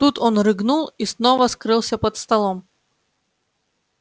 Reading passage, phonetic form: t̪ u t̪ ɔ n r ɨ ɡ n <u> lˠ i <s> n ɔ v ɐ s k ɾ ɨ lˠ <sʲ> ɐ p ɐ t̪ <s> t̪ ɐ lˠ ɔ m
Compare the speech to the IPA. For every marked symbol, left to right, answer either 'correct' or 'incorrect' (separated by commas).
correct, correct, correct, correct